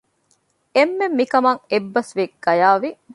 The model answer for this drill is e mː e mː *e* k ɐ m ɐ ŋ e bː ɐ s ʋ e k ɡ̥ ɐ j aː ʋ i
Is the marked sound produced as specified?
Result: no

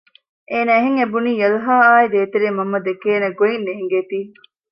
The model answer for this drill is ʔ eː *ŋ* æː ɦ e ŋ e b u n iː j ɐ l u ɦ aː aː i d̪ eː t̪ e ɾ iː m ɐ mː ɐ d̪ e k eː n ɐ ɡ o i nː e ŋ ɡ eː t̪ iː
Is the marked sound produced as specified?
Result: no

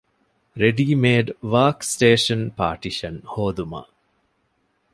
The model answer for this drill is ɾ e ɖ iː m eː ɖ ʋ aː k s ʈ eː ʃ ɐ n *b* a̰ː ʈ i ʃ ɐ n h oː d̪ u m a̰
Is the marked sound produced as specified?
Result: no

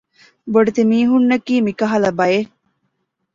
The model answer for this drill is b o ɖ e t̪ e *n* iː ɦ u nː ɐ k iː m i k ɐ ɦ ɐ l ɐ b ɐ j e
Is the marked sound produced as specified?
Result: no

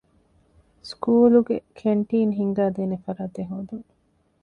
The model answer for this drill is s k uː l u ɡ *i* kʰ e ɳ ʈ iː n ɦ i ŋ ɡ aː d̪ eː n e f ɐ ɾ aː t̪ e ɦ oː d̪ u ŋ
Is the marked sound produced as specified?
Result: no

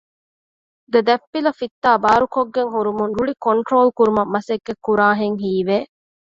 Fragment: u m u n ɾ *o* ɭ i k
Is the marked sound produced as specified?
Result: no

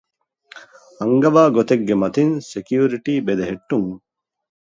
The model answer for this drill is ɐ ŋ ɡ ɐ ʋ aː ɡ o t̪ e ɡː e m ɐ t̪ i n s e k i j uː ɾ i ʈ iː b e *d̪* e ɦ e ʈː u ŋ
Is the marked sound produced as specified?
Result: yes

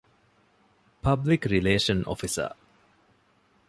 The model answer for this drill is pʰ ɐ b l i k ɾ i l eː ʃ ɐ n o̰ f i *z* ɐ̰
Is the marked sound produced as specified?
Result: no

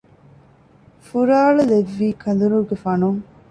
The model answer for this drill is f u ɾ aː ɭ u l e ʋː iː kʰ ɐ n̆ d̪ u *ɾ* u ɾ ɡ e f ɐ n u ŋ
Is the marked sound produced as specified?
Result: yes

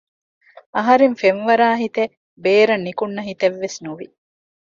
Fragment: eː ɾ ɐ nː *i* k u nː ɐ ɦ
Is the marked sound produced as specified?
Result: yes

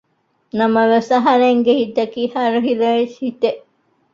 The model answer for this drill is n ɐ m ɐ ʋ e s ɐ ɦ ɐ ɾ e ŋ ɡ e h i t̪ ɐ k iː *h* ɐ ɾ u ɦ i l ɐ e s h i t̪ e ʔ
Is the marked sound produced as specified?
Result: yes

